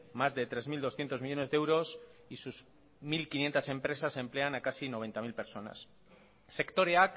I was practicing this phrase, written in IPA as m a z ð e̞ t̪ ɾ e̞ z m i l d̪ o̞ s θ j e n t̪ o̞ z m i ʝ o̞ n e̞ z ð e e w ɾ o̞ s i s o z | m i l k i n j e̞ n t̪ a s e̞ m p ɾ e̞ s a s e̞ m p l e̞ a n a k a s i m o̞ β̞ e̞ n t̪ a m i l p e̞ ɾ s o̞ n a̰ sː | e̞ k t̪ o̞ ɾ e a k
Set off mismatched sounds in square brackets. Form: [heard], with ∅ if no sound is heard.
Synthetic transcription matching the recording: m a z ð e̞ t̪ ɾ e̞ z m i l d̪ o̞ s θ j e n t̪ o̞ z m i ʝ o̞ n e̞ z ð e e w ɾ o̞ s i s [u] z | m i l k i n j e̞ n t̪ a s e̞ m p ɾ e̞ s a s e̞ m p l e̞ a n a k a s i [n] o̞ β̞ e̞ n t̪ a m i l p e̞ ɾ s o̞ n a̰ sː | e̞ k t̪ o̞ ɾ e a k